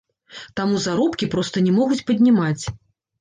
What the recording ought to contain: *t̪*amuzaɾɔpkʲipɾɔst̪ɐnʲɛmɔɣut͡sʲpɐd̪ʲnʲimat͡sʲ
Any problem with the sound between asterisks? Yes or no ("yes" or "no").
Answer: no